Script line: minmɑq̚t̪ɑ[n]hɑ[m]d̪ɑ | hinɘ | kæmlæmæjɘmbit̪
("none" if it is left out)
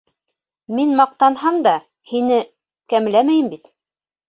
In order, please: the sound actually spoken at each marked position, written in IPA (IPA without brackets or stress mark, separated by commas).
n, m